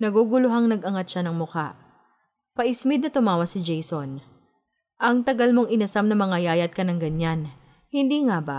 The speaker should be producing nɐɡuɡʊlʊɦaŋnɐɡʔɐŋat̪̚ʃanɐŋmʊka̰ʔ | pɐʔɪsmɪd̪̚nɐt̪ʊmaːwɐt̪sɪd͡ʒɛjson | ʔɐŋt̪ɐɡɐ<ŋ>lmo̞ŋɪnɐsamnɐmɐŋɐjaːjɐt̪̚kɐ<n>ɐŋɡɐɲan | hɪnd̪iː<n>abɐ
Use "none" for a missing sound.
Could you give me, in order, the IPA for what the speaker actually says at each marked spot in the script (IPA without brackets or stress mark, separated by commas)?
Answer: none, n, ŋ